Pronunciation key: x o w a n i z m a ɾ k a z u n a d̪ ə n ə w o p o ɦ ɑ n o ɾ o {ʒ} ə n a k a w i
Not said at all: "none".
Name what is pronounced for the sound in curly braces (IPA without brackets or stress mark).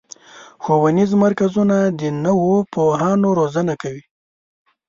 z